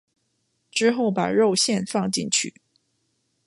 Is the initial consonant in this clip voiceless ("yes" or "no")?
yes